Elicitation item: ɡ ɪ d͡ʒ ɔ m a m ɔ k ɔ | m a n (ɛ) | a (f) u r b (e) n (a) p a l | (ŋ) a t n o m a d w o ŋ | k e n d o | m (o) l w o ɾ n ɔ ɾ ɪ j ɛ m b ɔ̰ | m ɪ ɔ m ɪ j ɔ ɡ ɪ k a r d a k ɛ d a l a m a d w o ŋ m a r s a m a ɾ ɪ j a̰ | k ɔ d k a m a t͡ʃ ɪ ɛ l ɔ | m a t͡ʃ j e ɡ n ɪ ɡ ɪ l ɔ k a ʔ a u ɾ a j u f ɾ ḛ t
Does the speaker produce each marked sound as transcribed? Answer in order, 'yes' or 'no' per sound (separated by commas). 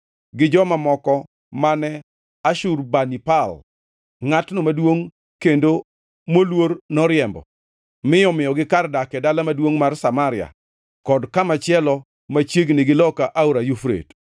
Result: yes, no, no, no, yes, yes